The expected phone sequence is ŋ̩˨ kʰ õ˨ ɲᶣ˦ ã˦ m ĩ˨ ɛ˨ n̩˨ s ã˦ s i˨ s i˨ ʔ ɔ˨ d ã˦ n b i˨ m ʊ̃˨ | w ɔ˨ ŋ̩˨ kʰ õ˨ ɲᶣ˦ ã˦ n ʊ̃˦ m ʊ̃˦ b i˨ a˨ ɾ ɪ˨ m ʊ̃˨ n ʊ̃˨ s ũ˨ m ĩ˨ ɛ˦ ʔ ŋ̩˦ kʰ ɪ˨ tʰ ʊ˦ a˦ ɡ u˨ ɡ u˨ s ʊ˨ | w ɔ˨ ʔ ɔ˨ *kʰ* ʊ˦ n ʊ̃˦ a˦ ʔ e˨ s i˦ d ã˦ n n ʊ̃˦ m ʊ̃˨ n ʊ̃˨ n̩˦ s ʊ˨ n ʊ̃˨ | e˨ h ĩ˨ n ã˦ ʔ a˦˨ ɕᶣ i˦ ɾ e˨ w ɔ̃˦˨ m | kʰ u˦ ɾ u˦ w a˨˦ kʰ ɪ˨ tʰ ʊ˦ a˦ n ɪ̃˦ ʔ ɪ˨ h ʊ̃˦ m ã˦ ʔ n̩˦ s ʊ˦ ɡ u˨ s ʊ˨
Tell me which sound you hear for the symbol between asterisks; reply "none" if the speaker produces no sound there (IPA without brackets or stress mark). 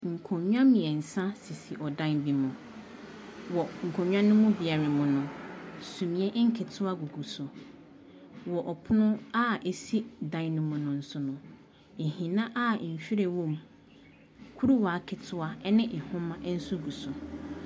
pʰ